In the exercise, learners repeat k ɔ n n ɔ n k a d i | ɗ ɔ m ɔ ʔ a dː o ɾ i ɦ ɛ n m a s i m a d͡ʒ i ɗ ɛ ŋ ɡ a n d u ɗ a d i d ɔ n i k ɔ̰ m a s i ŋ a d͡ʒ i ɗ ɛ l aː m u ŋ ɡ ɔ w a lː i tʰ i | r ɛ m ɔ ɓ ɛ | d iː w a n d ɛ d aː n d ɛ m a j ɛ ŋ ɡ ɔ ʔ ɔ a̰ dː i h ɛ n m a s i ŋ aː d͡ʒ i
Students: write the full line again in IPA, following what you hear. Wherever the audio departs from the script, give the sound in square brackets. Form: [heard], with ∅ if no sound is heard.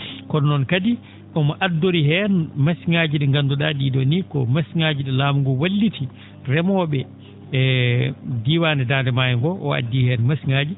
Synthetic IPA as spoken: k ɔ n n ɔ n k a d i | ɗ ɔ m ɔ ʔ a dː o ɾ i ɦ ɛ n m a s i [ŋ] a d͡ʒ i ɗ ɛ ŋ ɡ a n d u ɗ a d i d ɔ n i k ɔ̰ m a s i ŋ a d͡ʒ i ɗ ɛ l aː m u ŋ ɡ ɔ w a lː i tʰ i | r ɛ m ɔ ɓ ɛ | d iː w a n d ɛ d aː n d ɛ m a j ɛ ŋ ɡ ɔ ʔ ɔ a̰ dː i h ɛ n m a s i ŋ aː d͡ʒ i